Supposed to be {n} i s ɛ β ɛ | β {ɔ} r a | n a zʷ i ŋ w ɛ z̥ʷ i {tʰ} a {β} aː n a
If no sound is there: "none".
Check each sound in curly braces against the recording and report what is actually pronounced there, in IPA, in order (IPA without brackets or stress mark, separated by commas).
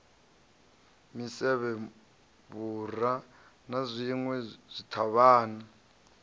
m, u, tʰ, β